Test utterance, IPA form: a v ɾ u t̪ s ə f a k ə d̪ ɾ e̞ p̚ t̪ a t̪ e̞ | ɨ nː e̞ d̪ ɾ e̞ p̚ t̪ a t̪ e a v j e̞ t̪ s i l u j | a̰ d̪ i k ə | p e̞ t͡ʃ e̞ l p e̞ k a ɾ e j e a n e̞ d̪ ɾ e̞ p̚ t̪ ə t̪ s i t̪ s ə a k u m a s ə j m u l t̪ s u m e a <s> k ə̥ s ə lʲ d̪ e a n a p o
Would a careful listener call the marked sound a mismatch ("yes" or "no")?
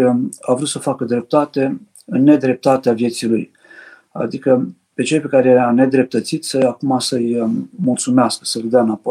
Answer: no